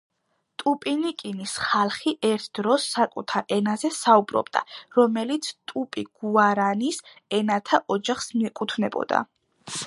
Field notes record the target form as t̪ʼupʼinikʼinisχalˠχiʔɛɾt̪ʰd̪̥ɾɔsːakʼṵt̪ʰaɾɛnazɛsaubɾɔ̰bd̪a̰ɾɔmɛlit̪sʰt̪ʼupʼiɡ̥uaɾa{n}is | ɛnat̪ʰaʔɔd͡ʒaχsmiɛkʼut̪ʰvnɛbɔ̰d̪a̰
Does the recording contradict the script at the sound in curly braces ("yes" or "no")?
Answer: no